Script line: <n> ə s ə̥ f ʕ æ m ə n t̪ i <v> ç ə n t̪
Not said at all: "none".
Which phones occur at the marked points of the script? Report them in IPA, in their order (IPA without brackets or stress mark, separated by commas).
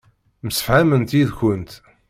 m, ð